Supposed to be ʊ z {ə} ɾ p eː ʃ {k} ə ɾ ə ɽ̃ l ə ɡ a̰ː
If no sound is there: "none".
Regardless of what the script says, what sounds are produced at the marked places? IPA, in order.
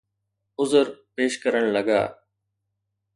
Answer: ə, k

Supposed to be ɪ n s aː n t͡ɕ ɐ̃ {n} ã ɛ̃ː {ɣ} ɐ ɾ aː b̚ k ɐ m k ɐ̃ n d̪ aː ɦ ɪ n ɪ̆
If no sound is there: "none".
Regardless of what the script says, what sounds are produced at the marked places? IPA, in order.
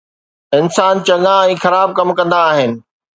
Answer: ŋ, x

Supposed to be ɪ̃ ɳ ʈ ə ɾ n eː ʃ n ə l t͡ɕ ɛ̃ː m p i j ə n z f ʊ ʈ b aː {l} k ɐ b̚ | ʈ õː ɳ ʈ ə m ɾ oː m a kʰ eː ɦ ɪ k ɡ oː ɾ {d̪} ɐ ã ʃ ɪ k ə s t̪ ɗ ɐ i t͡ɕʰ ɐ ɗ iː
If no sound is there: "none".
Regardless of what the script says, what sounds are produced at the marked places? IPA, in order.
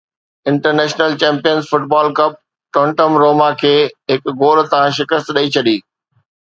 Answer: l, t̪

